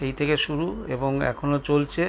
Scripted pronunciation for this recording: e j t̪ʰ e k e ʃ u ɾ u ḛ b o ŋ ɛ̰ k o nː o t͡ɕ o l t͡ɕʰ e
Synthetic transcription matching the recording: e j t̪ʰ e k e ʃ u ɾ u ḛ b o ŋ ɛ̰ kʰ o n o t͡ɕ o l t͡ɕʰ e